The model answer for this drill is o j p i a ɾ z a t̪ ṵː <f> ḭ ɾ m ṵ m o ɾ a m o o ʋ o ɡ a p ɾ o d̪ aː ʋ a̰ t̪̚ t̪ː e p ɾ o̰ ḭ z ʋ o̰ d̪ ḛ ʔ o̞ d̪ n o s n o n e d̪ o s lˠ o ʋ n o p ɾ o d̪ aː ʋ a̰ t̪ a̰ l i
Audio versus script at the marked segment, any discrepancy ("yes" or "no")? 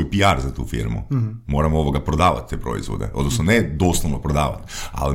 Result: no